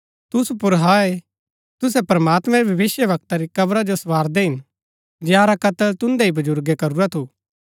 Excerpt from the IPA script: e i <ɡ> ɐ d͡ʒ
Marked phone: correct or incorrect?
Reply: incorrect